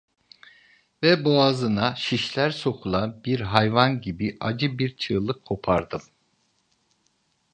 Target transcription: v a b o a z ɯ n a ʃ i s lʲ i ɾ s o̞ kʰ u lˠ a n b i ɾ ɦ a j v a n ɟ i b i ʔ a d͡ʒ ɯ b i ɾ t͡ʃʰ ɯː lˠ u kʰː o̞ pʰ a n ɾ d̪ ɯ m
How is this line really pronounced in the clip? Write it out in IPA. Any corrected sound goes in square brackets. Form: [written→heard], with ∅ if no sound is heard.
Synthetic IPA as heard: v [a→ɛ] b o a z ɯ n a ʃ i [s→ʃ] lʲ [i→æ] ɾ s o̞ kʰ u lˠ a n b i ɾ ɦ a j v a n ɟ i b i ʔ a d͡ʒ ɯ b i ɾ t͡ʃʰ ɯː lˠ [u→ɯ] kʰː o̞ pʰ a [n→∅] ɾ d̪ ɯ m